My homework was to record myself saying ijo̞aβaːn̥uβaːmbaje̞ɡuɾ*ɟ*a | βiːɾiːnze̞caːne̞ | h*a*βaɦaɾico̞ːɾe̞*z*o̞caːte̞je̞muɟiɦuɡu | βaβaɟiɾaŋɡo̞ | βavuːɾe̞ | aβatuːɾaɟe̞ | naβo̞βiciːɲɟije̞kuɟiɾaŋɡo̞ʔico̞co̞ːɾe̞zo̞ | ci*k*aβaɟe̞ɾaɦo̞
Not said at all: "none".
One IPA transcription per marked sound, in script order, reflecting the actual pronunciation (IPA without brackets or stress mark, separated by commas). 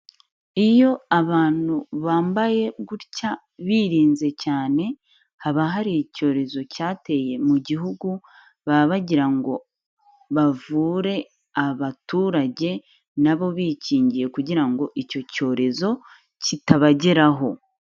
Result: c, a, z, t